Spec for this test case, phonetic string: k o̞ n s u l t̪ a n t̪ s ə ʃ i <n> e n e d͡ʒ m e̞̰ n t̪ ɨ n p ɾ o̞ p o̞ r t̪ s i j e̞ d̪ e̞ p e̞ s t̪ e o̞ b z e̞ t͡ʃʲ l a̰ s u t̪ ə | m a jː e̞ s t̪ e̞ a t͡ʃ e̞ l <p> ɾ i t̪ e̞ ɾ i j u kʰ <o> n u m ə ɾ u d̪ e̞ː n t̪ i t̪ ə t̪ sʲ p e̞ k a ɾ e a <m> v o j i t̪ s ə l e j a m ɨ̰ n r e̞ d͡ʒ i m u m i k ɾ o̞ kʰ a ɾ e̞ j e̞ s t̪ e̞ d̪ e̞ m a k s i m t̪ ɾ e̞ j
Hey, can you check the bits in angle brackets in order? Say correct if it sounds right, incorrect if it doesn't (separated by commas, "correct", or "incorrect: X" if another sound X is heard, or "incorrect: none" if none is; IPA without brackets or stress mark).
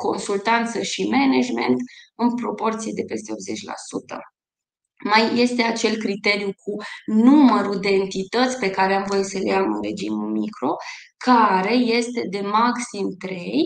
incorrect: m, incorrect: k, incorrect: u, correct